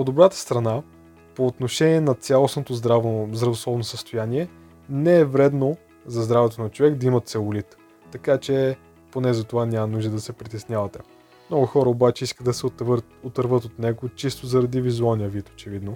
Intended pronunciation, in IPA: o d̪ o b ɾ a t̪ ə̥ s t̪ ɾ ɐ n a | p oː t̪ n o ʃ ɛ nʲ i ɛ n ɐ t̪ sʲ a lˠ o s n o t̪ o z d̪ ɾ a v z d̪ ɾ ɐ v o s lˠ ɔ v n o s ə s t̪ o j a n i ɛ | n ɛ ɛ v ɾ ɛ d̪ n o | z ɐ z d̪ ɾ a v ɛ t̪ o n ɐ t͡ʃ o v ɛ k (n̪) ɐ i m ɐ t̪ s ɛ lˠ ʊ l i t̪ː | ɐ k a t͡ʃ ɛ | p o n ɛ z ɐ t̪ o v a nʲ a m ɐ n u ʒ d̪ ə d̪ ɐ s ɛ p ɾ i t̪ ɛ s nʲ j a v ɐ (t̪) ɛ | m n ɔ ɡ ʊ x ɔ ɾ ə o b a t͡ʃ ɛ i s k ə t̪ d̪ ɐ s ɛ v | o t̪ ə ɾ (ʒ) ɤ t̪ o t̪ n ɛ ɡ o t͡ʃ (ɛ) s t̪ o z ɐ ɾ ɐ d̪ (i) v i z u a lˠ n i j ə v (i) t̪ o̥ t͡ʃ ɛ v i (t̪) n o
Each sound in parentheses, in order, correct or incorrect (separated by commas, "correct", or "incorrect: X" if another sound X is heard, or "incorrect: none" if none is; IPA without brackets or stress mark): incorrect: d̪, correct, incorrect: v, incorrect: i, correct, correct, incorrect: d̪